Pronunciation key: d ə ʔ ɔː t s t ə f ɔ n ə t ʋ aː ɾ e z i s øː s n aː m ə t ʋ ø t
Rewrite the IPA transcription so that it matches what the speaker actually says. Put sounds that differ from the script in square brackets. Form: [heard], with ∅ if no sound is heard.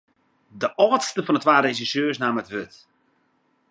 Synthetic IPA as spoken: d ə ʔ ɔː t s t ə f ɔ n ə t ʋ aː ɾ e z i s øː s n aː m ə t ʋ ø t